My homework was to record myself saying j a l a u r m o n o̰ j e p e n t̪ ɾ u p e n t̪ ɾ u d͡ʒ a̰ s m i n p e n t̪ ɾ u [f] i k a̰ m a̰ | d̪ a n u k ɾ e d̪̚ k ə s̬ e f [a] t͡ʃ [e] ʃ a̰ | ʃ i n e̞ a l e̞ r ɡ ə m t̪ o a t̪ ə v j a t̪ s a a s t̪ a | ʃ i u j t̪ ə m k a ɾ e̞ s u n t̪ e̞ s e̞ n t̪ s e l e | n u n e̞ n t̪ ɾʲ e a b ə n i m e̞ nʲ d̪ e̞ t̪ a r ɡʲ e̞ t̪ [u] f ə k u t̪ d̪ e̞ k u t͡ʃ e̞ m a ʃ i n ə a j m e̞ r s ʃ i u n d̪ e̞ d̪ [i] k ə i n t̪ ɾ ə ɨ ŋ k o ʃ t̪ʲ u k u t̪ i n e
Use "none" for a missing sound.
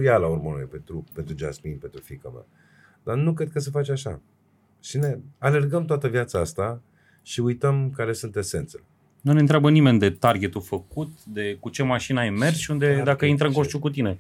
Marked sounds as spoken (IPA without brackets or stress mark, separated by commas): f, a, a, u, a